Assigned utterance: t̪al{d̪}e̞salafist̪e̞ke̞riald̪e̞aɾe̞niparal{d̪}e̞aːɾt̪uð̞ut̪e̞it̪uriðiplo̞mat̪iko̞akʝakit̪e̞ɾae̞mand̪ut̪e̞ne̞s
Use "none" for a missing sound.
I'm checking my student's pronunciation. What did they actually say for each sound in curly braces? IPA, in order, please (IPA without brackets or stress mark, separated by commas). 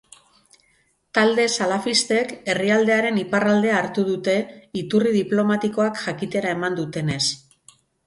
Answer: d̪, d̪